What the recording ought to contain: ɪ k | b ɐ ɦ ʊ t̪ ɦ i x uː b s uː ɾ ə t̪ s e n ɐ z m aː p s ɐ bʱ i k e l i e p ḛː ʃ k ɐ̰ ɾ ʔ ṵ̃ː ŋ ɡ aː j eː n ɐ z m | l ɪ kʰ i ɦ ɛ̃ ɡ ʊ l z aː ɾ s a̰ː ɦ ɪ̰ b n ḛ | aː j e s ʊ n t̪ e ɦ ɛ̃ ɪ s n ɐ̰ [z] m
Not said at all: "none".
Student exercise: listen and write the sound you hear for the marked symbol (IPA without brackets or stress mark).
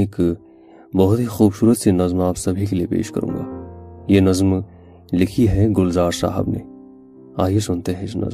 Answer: z